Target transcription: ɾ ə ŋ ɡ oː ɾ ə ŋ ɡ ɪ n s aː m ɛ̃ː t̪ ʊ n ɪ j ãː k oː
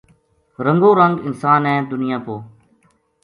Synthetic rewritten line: ɾ ə ŋ ɡ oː ɾ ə ŋ ɡ ɪ n s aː n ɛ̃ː d̪ ʊ n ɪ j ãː p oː